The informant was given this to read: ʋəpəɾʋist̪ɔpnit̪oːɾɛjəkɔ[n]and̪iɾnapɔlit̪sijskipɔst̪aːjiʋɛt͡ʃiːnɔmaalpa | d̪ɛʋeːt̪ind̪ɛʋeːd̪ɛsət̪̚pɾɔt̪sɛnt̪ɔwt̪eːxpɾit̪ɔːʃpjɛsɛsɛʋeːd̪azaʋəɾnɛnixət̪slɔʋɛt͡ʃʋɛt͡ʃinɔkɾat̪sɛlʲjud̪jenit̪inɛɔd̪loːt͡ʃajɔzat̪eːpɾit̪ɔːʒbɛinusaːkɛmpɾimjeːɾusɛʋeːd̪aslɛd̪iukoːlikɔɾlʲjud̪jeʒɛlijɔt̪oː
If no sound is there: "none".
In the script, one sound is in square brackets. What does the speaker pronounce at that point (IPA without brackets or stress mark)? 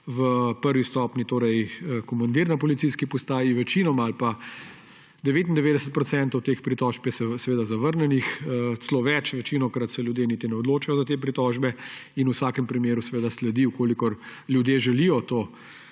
m